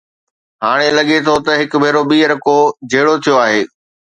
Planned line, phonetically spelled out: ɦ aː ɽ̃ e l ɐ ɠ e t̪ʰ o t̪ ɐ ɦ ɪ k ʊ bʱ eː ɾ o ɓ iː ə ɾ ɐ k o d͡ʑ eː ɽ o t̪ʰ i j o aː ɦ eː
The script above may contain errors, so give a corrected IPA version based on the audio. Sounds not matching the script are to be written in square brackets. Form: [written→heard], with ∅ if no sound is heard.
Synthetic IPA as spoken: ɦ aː ɽ̃ e l ɐ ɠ e t̪ʰ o t̪ ɐ ɦ ɪ k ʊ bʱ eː ɾ o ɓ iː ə ɾ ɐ k o d͡ʑ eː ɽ o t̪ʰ i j o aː ɦ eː